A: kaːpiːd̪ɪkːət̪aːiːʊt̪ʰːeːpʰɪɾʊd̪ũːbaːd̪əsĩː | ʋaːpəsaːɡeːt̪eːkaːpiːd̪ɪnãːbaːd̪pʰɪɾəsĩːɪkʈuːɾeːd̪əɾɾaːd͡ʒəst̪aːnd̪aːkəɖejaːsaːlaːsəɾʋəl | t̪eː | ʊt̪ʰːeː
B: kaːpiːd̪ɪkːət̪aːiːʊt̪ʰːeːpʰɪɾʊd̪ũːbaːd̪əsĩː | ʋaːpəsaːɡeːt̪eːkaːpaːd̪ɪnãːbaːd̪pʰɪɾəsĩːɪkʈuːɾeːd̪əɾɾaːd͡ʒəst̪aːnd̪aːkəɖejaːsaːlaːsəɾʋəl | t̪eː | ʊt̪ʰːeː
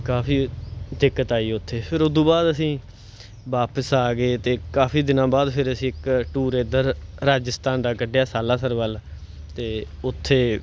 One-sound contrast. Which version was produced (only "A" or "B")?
A